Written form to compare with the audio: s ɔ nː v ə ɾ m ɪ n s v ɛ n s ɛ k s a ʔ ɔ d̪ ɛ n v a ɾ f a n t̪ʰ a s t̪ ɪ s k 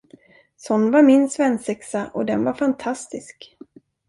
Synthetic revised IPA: s ɔ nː v a ɾ m ɪ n s v ɛ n s ɛ k s a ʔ ɔ d̪ ɛ n v a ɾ f a n t̪ʰ a s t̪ ɪ s k